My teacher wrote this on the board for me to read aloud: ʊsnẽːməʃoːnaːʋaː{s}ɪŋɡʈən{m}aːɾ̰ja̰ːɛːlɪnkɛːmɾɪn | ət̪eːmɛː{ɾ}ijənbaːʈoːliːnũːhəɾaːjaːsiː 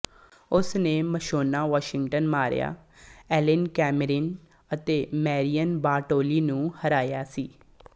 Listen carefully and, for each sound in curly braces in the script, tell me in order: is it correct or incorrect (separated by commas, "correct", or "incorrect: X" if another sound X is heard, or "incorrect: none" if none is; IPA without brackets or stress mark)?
incorrect: ʃ, correct, correct